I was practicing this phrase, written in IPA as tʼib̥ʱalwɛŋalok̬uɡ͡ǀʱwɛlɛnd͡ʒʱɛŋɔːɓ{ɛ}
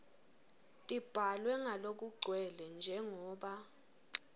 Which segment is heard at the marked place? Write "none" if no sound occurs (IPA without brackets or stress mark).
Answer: a